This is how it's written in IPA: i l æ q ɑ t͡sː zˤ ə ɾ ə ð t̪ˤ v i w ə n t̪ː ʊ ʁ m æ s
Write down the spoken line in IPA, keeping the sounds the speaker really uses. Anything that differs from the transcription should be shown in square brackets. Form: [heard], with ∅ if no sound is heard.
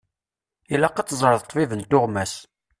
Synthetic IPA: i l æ q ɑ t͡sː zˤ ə ɾ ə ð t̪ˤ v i [v] ə n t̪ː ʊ ʁ m æ s